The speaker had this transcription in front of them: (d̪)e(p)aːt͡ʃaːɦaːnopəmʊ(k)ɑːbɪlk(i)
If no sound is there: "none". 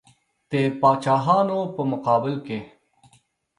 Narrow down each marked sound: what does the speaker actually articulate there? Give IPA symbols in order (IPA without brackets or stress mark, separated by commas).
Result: t̪, p, q, e